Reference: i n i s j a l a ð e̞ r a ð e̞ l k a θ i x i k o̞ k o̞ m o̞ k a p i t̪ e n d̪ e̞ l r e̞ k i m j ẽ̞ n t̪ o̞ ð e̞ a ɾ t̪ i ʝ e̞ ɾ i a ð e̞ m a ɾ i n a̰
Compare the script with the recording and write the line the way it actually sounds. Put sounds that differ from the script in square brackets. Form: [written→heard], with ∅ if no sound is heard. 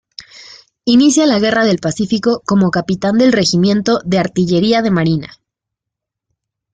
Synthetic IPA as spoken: i n i s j a l a [ð→ɣ] e̞ r a ð e̞ l [k→p] a [θ→s] i [x→f] i k o̞ k o̞ m o̞ k a p i t̪ [e→a] n d̪ e̞ l r e̞ [k→x] i m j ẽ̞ n t̪ o̞ ð e̞ a ɾ t̪ i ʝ e̞ ɾ i a ð e̞ m a ɾ i n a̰

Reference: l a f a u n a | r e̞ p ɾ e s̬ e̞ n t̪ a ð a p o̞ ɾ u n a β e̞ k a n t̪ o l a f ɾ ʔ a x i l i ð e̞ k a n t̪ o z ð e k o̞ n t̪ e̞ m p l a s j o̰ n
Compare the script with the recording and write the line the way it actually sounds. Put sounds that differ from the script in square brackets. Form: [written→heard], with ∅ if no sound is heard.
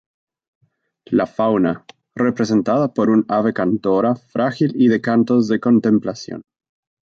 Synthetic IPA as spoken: l a f a [u→w] n a | r e̞ p ɾ e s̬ e̞ n t̪ a ð a p o̞ ɾ u n a β e̞ k a n t̪ o [l→ɾ] a f ɾ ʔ a x i l i ð e̞ k a n t̪ o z ð e k o̞ n t̪ e̞ m p l a s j o̰ n

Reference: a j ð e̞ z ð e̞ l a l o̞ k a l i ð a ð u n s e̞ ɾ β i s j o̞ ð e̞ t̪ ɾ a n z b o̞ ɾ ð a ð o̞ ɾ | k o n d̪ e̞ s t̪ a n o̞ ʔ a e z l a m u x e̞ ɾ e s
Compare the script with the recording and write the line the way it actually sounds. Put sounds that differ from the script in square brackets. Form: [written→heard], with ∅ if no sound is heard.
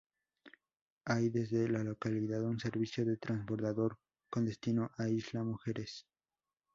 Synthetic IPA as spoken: a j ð e̞ z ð e̞ l a l o̞ k a l i ð a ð u n s e̞ ɾ β i s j o̞ ð e̞ t̪ ɾ a n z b o̞ ɾ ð a ð o̞ ɾ | k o n d̪ e̞ s t̪ [a→i] n o̞ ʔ a [e→i] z l a m u x e̞ ɾ e s

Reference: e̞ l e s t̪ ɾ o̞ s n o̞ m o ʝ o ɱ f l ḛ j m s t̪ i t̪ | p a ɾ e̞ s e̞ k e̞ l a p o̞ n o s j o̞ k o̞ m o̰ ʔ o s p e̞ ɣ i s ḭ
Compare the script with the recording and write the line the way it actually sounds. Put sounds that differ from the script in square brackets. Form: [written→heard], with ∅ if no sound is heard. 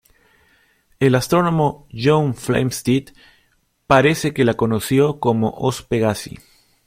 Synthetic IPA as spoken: e̞ l [e→a] s t̪ ɾ o̞ [s→∅] n o̞ m o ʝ o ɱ f l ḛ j m s t̪ i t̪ | p a ɾ e̞ s e̞ k e̞ l a [p→k] o̞ n o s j o̞ k o̞ m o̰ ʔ o s p e̞ ɣ [i→a] s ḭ

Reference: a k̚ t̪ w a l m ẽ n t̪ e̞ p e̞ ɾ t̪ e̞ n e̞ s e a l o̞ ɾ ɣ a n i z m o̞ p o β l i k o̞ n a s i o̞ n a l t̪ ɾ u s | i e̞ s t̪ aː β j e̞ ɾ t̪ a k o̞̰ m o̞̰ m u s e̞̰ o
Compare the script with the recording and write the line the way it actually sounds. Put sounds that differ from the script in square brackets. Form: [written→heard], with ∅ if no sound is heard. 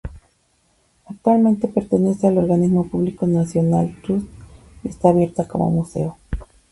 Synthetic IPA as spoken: a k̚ t̪ w a l m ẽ n t̪ e̞ p e̞ ɾ t̪ e̞ n e̞ s e a l o̞ ɾ ɣ a n i z m o̞ p [o→u] β l i k o̞ n a s [i→j] o̞ n a l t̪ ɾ u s | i e̞ s t̪ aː β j e̞ ɾ t̪ a k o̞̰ m o̞̰ m u s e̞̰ o

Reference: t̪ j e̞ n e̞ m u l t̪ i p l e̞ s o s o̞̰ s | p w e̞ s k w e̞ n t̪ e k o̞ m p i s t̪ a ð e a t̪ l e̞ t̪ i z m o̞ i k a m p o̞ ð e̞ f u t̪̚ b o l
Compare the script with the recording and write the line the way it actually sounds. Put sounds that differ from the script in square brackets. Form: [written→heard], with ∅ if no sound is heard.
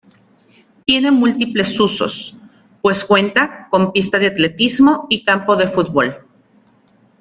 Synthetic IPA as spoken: t̪ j e̞ n e̞ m u l t̪ i p l e̞ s [o→u] s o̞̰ s | p w e̞ s k w e̞ n t̪ [e→a] k o̞ m p i s t̪ a ð e a t̪ l e̞ t̪ i z m o̞ i k a m p o̞ ð e̞ f u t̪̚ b o l

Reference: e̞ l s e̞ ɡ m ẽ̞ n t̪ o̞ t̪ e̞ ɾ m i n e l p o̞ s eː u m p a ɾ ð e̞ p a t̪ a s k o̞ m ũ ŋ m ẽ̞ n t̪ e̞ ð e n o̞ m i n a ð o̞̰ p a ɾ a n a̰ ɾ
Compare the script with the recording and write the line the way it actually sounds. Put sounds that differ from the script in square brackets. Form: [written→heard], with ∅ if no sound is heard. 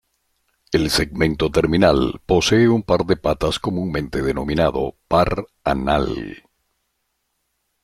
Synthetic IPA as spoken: e̞ l s e̞ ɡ m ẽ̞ n t̪ o̞ t̪ e̞ ɾ m i n [e→a] l p o̞ s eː u m p a ɾ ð e̞ p a t̪ a s k o̞ m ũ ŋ m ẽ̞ n t̪ e̞ ð e n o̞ m i n a ð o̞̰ p a ɾ a n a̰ [ɾ→l]

